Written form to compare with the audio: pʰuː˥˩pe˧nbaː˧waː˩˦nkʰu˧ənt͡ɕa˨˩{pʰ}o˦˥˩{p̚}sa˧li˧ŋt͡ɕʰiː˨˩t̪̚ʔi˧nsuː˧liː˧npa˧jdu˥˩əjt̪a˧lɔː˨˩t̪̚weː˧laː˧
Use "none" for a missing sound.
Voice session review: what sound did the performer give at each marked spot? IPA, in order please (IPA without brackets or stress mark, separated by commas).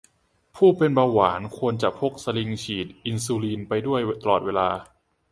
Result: pʰ, k̚